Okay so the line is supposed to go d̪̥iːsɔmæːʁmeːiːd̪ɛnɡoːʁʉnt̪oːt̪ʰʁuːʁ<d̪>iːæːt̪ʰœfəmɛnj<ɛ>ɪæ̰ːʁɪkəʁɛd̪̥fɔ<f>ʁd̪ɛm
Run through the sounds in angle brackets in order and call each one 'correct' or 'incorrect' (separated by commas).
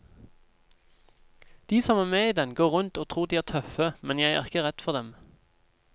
correct, incorrect, incorrect